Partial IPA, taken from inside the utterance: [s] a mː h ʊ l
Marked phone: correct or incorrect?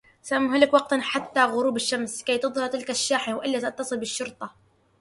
correct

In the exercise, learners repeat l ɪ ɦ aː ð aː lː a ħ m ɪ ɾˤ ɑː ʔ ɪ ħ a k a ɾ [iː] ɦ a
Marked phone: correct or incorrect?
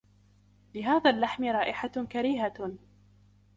correct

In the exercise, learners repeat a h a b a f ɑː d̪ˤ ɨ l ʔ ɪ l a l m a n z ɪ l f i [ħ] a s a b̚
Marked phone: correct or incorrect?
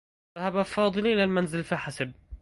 correct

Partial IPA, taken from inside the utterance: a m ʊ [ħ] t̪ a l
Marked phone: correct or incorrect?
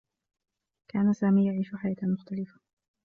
incorrect: x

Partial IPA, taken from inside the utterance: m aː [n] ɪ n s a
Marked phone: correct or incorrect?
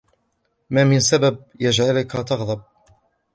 incorrect: m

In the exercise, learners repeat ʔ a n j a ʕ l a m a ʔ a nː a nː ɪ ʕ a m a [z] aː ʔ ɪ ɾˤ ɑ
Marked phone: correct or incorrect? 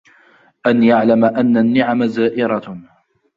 correct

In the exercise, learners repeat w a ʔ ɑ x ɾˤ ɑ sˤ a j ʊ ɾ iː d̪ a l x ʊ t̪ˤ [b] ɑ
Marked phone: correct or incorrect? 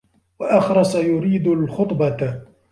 correct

